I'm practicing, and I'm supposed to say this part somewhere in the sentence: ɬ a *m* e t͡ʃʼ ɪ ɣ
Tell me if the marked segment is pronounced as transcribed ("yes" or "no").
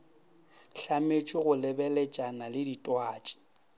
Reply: yes